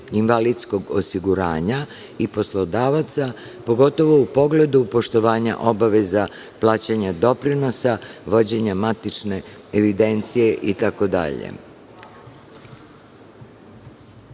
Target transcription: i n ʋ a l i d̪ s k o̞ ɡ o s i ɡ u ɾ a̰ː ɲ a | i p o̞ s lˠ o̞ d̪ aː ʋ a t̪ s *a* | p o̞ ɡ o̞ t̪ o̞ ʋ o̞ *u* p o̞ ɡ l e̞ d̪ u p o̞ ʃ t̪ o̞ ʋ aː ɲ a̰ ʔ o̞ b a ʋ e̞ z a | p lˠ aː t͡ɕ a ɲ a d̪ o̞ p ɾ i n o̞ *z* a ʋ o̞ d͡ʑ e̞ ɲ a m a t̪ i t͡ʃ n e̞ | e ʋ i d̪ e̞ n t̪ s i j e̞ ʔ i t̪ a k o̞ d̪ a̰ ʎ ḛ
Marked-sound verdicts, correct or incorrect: correct, correct, incorrect: s

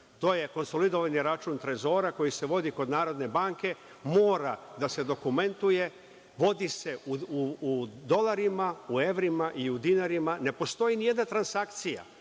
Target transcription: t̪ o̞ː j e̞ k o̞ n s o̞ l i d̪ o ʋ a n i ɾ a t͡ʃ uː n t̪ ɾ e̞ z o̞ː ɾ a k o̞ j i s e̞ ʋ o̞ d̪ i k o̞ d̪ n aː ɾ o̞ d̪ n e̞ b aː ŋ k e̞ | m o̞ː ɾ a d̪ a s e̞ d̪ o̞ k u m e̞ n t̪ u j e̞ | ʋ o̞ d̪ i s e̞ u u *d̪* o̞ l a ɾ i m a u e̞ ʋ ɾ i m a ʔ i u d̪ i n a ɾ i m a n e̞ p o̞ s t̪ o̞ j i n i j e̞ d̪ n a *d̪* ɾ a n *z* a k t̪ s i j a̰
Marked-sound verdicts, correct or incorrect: correct, incorrect: t̪, incorrect: s

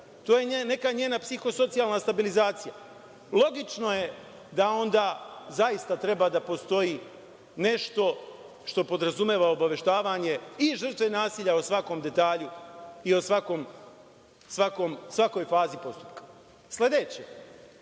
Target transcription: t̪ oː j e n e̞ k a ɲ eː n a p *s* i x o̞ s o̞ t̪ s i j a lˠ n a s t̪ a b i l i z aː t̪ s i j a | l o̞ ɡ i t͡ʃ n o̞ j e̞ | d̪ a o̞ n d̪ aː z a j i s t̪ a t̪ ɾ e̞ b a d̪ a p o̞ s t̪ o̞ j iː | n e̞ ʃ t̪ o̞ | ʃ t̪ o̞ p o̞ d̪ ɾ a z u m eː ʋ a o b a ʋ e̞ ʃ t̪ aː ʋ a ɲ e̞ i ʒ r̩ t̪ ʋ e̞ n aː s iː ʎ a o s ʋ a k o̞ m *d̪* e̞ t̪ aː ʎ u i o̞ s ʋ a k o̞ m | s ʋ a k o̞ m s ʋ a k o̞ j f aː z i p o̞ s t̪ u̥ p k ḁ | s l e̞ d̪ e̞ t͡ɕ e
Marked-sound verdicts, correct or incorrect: correct, correct

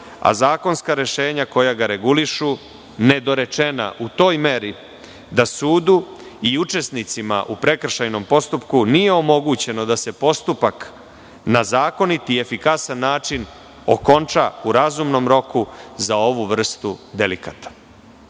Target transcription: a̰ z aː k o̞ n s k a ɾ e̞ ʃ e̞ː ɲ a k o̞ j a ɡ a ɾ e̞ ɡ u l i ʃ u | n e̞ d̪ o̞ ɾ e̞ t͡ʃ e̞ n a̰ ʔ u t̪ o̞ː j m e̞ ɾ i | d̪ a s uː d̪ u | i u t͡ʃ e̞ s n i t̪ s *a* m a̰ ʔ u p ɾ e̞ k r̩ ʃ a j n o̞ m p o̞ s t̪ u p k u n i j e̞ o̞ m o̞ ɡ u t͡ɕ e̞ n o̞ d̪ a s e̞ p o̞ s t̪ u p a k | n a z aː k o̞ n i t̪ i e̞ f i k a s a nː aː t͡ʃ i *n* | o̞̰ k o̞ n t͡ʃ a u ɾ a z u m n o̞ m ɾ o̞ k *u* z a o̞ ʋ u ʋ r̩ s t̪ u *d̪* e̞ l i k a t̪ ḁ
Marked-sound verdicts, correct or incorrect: incorrect: i, correct, correct, correct

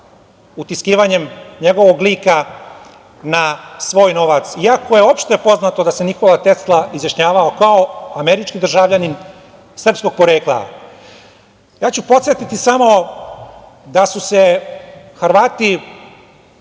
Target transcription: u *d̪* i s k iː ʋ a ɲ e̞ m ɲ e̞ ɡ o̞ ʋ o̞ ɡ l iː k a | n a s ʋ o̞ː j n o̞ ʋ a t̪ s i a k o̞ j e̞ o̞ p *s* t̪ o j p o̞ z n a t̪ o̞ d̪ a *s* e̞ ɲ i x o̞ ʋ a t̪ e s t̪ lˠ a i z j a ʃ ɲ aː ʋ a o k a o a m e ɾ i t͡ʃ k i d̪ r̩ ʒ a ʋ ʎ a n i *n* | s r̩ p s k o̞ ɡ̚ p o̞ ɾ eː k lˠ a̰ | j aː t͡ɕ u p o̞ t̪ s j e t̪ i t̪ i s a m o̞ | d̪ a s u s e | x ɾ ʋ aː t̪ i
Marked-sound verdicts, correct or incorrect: incorrect: t̪, incorrect: ʃ, correct, correct

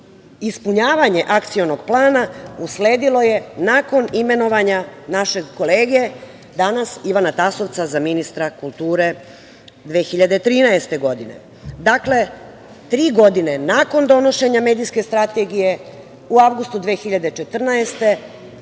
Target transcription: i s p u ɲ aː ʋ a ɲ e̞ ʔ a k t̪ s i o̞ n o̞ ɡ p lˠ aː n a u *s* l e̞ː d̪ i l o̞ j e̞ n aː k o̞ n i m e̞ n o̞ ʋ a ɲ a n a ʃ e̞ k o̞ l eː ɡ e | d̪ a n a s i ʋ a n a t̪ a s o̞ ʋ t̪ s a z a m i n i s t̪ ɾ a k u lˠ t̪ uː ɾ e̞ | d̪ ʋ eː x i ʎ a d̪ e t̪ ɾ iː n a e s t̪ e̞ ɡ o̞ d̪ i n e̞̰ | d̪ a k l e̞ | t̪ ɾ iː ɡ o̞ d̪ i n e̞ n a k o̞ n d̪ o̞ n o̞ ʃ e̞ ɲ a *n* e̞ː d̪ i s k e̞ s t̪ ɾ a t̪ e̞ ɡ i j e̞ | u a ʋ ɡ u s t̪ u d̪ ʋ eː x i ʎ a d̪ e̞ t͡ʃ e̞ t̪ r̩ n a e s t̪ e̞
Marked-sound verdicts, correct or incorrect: correct, incorrect: m

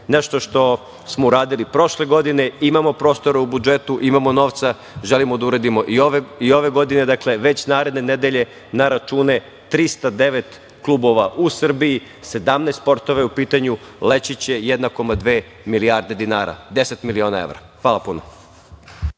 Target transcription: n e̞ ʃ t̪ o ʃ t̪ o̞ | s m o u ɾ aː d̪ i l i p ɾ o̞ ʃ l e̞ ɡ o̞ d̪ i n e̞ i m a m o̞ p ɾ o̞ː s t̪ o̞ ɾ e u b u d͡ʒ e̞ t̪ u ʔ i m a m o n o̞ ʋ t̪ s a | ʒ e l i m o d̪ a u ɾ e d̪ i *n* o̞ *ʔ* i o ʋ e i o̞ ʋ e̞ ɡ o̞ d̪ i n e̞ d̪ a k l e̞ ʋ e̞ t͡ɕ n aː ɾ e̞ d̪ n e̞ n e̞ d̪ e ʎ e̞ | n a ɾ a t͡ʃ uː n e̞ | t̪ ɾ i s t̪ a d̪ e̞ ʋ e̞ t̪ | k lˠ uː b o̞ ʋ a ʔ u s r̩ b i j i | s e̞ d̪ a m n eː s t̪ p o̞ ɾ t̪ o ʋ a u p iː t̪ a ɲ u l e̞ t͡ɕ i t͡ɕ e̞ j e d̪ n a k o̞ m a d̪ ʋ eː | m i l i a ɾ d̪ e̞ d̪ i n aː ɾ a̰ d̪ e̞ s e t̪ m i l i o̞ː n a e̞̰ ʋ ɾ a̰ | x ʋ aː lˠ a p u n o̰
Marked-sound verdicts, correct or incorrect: incorrect: m, correct

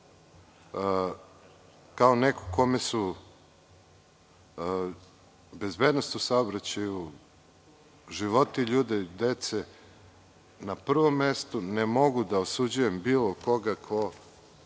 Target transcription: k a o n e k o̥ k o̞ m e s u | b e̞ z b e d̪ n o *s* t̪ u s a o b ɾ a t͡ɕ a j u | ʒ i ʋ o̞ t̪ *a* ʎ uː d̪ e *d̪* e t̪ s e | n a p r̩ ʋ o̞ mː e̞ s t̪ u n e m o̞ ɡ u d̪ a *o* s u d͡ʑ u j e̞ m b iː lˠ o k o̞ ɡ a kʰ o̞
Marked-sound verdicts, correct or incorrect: correct, incorrect: i, correct, correct

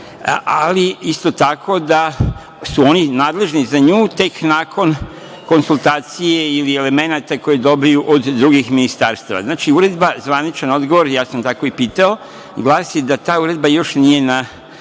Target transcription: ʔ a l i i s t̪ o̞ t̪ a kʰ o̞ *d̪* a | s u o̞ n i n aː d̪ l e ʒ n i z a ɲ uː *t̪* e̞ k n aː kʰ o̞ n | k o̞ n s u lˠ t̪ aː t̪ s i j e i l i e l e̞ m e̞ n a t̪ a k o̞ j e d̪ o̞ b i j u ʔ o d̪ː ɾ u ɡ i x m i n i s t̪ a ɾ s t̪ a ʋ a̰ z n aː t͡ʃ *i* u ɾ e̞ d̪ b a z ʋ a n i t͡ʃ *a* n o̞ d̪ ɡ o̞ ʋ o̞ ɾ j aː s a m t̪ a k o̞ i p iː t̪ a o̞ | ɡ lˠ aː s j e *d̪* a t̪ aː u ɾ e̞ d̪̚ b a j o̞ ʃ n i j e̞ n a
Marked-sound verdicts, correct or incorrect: correct, correct, correct, correct, correct

